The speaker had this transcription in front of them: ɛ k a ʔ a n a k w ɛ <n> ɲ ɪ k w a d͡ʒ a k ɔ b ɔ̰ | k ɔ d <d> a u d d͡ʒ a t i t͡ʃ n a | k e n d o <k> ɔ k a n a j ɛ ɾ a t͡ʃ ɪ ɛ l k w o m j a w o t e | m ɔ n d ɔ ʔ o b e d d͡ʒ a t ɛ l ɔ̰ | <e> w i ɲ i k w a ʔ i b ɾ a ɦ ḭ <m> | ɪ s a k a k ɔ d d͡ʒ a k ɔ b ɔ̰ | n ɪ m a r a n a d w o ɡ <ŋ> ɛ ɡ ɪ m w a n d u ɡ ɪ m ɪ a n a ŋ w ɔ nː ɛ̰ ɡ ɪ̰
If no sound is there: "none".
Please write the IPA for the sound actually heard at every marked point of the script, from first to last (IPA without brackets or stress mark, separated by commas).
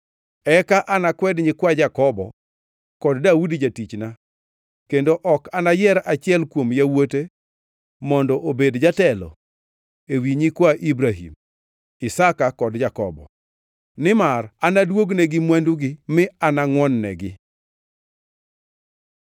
d, d, ʔ, e, m, n